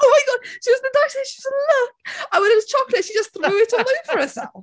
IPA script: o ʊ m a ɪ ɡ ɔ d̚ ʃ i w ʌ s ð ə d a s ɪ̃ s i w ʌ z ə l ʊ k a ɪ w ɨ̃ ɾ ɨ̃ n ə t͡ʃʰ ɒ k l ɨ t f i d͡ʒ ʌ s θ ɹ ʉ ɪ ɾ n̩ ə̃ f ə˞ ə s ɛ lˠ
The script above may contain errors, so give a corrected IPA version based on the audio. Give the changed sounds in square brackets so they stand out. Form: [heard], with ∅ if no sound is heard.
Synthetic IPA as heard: o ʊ m a ɪ ɡ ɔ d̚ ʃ i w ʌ [z] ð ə d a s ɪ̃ [ʃ] i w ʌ z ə l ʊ k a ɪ w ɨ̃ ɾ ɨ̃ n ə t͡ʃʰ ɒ k l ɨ t [ʃ] i d͡ʒ ʌ s θ ɹ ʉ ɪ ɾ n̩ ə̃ f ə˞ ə s ɛ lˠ